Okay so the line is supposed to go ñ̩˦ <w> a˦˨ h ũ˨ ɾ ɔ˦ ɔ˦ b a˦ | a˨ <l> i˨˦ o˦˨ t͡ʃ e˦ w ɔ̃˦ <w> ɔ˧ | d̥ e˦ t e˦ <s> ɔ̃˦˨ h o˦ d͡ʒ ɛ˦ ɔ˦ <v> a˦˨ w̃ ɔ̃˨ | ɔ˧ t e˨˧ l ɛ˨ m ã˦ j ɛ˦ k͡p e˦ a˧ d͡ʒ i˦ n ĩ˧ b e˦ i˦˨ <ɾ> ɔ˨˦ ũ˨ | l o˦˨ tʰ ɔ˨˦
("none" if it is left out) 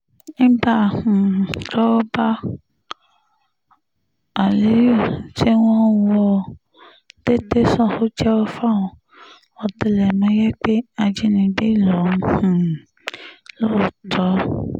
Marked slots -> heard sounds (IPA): b, l, w, s, f, l

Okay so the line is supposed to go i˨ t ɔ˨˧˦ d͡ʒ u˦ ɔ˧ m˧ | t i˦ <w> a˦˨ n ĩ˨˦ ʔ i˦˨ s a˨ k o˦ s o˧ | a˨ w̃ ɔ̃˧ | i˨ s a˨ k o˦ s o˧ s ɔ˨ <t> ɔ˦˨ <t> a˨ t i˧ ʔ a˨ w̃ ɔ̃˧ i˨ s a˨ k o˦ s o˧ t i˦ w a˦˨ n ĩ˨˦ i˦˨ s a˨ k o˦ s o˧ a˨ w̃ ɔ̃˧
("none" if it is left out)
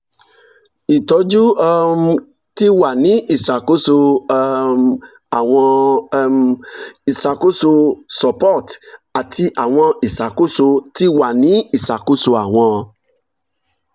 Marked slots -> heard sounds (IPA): w, p, t

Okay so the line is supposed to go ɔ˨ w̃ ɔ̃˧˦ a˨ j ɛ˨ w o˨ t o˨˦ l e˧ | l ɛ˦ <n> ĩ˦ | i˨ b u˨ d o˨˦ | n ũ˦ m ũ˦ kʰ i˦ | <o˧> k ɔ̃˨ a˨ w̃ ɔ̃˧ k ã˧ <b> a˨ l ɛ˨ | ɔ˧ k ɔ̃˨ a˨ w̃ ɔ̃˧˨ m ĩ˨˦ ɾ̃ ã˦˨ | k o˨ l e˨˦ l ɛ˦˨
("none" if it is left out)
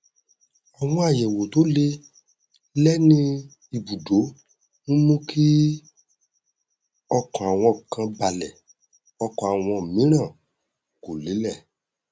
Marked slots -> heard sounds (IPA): n, ɔ˧, b

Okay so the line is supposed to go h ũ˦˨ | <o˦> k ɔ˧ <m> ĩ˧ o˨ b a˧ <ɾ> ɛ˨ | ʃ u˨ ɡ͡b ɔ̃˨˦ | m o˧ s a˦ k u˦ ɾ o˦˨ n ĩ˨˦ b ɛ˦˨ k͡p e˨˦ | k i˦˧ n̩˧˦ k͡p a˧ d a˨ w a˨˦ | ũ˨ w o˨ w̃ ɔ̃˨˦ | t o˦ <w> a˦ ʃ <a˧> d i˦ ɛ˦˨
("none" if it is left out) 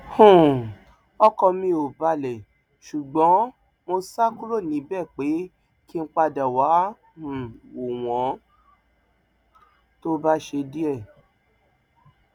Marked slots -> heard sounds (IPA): ɔ˦, m, l, b, e˧

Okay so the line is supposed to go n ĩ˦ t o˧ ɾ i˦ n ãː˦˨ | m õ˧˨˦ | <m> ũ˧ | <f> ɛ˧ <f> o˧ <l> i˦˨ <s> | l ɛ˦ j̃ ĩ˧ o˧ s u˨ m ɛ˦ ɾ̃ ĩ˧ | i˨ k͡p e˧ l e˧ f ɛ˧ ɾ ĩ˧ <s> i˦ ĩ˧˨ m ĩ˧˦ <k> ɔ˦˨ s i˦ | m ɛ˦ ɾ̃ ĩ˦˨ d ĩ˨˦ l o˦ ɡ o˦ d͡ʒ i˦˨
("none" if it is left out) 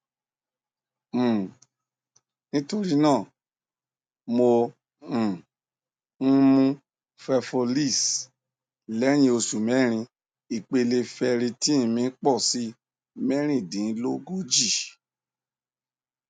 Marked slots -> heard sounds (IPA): m, f, f, l, s, t, k͡p

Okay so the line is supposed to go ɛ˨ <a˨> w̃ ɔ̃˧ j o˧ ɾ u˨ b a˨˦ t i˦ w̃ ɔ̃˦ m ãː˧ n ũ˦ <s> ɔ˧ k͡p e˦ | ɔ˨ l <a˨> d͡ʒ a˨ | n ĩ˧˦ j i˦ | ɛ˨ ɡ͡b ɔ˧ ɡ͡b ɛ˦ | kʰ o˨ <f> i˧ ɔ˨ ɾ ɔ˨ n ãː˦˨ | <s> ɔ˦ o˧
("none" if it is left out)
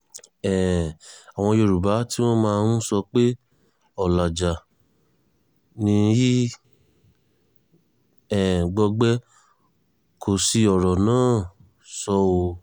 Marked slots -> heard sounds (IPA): a˨, s, a˨, s, s

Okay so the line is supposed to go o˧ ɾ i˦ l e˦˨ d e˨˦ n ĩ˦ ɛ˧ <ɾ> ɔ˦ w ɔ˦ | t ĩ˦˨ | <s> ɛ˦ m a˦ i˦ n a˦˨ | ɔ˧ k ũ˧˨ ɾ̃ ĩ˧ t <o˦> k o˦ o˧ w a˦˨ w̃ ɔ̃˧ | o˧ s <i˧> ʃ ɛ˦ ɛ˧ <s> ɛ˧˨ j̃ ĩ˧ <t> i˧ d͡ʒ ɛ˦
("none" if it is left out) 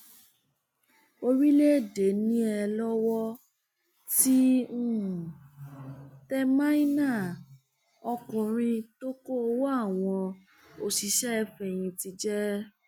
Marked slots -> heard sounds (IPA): l, t, o˦, i˧, f, t

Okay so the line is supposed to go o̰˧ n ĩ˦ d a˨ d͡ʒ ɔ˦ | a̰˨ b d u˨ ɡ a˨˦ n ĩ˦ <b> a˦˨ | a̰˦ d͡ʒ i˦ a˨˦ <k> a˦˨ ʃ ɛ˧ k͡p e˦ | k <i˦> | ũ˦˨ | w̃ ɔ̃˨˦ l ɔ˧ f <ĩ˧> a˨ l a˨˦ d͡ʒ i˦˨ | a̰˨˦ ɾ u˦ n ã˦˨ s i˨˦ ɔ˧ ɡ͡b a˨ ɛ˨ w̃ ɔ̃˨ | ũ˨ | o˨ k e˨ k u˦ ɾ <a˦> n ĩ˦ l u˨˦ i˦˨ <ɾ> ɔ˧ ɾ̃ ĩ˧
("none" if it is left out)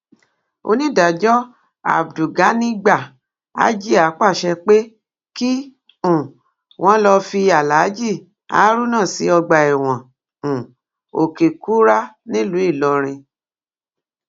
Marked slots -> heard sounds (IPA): ɡ͡b, k͡p, i˦, i˧, a˦, l

